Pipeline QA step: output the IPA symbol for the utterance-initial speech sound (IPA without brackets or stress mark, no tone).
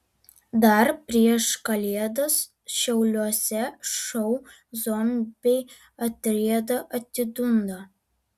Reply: d̪